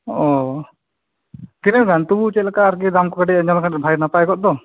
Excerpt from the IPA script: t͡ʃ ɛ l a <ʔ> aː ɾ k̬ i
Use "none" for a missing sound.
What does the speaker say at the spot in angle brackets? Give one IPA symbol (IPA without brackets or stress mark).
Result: k